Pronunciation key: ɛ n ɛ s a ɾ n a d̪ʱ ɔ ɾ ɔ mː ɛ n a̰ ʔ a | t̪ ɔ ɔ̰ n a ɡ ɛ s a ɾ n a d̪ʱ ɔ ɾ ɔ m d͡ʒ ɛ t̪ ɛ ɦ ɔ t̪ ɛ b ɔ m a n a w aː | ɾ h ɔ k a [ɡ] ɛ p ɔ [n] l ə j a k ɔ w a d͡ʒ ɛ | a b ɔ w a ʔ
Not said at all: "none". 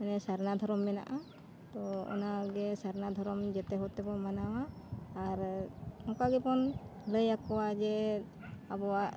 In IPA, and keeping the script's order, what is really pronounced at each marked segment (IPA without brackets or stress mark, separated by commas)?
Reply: ɡ, n